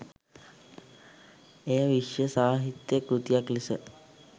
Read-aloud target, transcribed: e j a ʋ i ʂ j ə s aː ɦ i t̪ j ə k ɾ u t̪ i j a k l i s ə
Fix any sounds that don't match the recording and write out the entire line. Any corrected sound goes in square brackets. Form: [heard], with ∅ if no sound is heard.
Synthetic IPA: e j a ʋ i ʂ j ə s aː ɦ i t̪ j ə k ɾ u t̪ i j a k l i s ə